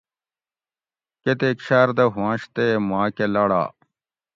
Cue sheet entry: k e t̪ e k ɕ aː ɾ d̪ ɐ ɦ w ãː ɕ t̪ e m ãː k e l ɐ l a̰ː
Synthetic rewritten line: k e t̪ e k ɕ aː ɾ d̪ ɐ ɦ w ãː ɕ t̪ e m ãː k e l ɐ ɽ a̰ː